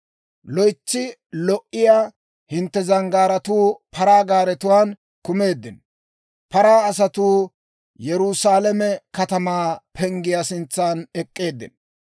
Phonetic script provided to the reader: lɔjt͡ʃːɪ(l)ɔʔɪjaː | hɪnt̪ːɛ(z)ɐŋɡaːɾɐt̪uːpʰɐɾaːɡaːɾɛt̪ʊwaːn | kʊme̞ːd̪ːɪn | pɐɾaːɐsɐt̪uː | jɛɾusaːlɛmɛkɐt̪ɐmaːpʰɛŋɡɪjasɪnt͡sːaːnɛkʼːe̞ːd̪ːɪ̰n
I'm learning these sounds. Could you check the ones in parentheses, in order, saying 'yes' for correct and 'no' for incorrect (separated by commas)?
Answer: yes, yes